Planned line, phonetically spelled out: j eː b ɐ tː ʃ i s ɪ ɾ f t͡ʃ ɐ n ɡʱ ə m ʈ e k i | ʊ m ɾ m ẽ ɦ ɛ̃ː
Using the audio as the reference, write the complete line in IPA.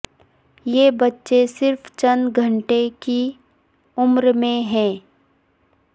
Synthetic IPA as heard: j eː b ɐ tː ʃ e s ɪ ɾ f t͡ʃ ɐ n ɡʱ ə ɳ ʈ e k i | ʊ m ɾ m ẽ ɦ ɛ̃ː